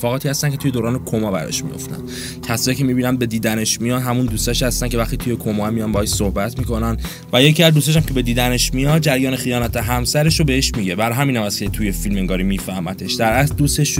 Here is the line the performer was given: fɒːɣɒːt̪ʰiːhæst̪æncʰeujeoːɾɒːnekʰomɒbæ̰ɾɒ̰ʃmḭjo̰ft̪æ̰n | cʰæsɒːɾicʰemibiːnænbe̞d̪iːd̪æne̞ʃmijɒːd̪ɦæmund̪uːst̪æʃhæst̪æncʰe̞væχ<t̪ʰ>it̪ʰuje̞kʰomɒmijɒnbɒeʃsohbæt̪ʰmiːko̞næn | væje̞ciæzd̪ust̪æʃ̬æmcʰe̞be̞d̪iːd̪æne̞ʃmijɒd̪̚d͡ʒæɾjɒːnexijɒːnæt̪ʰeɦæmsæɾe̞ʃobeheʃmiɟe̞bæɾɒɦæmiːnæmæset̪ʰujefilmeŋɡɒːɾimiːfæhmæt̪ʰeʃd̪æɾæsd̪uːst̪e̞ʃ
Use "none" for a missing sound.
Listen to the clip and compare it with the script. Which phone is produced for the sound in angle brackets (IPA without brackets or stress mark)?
t̪